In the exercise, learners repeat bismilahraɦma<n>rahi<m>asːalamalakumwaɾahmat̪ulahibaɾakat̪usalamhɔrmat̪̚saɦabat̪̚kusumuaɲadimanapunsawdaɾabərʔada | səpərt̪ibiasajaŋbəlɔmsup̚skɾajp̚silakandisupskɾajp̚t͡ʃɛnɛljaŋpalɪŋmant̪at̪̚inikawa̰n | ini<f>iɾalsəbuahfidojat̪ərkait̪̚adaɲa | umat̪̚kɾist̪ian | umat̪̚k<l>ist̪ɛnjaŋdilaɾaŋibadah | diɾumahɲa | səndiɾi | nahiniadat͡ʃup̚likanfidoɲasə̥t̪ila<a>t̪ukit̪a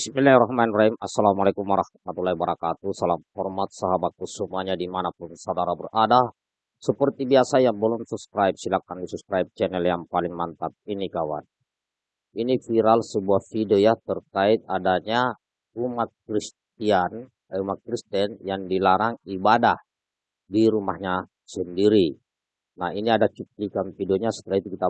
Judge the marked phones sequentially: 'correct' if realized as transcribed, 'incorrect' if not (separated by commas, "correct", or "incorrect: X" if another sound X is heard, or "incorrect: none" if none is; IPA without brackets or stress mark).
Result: correct, correct, correct, incorrect: ɾ, incorrect: i